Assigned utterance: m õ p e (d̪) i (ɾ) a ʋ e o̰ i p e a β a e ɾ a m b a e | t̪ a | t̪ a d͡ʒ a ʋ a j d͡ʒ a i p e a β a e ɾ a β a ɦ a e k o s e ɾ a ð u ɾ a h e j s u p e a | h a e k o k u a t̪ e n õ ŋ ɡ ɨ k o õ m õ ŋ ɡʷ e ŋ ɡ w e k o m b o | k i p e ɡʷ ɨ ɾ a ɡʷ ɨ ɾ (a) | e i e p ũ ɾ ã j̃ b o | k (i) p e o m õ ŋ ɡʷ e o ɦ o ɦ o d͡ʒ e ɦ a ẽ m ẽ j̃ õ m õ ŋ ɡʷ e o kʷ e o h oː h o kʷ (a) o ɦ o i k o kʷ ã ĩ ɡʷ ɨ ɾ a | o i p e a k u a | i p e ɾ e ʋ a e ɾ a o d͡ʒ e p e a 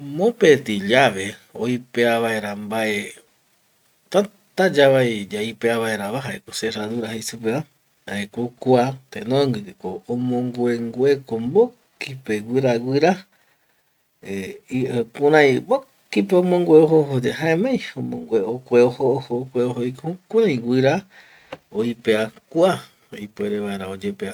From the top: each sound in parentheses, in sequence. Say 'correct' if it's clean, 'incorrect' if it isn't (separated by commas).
incorrect, incorrect, correct, correct, incorrect